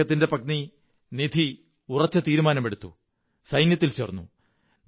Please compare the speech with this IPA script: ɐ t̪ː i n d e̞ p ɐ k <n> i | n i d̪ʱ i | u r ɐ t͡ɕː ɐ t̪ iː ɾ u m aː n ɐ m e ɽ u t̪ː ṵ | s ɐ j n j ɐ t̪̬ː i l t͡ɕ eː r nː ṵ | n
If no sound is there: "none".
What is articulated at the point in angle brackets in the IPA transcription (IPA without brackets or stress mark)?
n